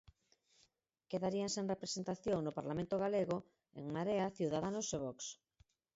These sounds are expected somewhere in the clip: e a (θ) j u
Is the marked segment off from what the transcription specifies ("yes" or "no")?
no